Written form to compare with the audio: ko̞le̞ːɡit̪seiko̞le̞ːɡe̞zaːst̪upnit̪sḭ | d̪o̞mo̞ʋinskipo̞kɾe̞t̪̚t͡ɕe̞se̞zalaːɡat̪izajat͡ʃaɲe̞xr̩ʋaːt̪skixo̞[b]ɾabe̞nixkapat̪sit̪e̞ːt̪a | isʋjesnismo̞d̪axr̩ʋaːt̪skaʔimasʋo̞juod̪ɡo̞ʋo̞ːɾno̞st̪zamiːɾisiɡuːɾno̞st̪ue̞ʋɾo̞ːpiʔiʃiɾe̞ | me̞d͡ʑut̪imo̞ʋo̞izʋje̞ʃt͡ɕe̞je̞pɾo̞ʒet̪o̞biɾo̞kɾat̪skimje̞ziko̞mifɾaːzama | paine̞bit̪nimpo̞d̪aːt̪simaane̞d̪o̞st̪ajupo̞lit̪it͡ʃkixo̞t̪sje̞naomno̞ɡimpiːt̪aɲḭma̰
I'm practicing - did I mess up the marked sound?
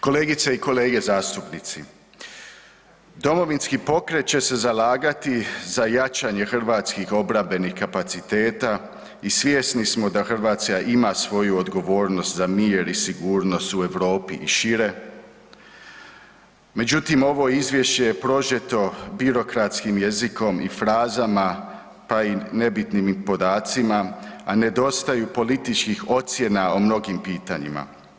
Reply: no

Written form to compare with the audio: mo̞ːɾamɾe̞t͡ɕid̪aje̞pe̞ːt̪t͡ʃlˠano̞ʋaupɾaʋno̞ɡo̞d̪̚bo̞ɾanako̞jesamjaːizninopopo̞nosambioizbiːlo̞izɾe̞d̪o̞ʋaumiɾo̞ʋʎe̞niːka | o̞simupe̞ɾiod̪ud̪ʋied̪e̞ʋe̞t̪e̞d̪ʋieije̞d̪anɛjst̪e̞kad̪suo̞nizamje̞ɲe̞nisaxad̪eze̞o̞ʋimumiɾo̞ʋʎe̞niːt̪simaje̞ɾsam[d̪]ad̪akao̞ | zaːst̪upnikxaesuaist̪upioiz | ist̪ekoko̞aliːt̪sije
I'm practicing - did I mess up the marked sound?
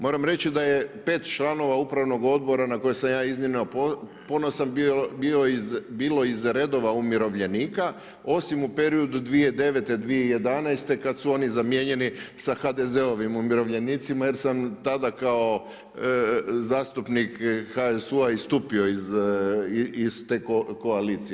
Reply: yes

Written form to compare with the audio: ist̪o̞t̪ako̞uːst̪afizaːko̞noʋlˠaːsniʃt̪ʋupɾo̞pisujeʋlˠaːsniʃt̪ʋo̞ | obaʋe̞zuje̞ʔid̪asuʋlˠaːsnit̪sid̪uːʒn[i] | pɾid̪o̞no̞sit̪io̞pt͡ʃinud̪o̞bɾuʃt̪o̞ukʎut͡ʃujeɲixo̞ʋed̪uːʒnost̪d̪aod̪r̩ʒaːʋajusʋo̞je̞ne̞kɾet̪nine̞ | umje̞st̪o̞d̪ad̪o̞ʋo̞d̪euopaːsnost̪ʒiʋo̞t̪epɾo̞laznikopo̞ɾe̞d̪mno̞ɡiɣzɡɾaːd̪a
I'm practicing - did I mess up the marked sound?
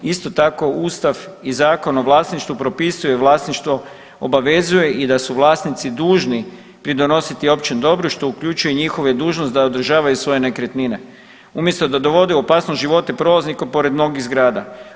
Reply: no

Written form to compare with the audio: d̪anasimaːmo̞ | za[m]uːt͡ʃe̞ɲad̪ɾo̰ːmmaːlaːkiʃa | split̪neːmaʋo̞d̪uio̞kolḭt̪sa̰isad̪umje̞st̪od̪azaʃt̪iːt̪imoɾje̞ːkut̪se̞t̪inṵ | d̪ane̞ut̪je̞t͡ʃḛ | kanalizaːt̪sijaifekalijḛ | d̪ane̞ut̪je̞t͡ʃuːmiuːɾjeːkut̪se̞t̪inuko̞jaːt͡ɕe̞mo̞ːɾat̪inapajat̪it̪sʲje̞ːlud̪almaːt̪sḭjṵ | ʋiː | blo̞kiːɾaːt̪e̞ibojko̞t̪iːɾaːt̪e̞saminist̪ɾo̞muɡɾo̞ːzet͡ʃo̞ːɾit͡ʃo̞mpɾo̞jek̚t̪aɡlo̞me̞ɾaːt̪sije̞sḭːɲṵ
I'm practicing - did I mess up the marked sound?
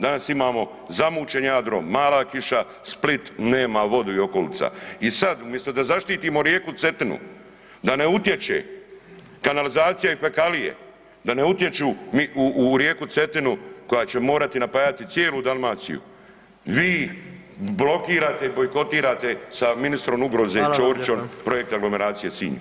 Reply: no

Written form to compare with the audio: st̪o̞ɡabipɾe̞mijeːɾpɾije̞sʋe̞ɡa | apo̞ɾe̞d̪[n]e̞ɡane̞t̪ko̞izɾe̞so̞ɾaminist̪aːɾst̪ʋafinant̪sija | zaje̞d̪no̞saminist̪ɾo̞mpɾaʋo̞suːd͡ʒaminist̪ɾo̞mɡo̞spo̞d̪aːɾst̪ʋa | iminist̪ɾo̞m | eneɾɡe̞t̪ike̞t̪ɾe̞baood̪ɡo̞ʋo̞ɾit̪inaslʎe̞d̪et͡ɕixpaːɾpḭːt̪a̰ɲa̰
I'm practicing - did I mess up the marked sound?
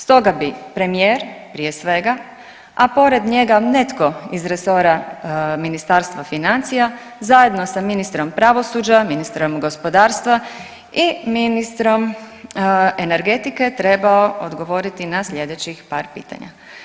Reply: yes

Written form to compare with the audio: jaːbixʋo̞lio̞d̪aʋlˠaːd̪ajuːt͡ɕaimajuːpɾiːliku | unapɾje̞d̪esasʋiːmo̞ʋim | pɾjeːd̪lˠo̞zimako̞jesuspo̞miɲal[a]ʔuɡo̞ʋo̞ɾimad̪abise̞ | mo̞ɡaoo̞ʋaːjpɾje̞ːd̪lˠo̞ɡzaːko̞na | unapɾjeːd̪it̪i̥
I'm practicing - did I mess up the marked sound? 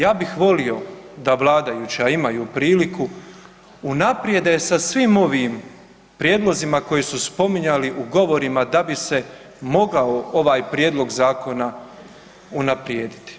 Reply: yes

